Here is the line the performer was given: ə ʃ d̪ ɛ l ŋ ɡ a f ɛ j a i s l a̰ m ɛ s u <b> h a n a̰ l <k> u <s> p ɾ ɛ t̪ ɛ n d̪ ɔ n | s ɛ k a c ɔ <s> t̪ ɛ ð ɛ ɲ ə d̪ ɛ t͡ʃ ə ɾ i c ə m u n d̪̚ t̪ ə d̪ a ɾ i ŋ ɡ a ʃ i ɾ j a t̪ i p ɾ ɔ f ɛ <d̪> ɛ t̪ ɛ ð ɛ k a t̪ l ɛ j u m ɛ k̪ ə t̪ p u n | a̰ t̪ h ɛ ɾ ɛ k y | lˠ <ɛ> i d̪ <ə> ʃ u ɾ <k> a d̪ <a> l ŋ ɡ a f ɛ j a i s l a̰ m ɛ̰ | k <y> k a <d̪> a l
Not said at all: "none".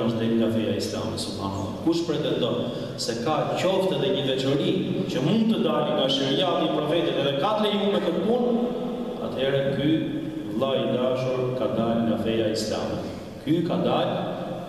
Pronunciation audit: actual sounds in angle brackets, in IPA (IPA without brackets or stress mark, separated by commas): b, k, ʃ, f, t̪, a, a, k, a, y, d̪